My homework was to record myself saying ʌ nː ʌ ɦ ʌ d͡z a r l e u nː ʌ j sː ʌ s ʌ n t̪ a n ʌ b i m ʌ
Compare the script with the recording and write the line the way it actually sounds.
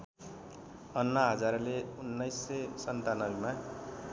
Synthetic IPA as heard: ʌ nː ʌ ɦ ʌ d͡z a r l e u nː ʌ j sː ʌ s ʌ n t̪ a n ʌ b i m a